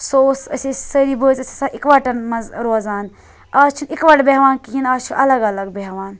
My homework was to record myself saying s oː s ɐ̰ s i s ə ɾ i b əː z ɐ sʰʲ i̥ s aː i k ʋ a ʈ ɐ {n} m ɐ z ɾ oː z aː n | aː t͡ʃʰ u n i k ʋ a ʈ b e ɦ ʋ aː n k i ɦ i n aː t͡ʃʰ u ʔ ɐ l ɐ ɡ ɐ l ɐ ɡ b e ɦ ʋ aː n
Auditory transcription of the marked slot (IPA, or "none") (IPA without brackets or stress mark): n